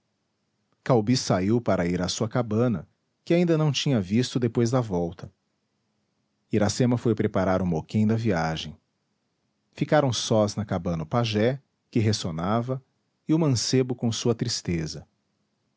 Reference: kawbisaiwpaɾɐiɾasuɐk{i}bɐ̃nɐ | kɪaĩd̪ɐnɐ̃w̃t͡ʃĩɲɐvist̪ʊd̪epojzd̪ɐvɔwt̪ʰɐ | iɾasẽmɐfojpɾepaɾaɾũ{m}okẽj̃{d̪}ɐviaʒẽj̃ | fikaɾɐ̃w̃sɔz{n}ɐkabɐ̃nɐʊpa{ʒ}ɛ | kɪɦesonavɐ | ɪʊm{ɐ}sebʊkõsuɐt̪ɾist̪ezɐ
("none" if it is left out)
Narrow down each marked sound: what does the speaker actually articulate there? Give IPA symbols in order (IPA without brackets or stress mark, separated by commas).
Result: a, m, d̪, n, ʒ, ɐ̃